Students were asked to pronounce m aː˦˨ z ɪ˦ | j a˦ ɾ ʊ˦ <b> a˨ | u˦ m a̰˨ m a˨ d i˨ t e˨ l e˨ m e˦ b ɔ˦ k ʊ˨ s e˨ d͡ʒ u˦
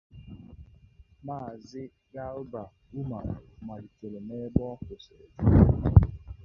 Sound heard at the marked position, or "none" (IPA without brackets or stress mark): b